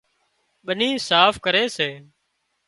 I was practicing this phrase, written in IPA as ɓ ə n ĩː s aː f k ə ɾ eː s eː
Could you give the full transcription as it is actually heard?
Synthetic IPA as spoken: ɓ ə n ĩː s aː f k ə ɾ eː s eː